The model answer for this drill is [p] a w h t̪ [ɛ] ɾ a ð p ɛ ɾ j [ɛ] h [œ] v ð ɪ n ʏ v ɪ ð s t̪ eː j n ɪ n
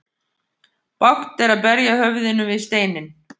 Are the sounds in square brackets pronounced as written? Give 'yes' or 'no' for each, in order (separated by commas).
yes, yes, no, yes